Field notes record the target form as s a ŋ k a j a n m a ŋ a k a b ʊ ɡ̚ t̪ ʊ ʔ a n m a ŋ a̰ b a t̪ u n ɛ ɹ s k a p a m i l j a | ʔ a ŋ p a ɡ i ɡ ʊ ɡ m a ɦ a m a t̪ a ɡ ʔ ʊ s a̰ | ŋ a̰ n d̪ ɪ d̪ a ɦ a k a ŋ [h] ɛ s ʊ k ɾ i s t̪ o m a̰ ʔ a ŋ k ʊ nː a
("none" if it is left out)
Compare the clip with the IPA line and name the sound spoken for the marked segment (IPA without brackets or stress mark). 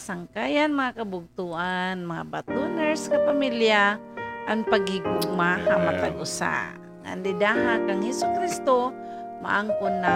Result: h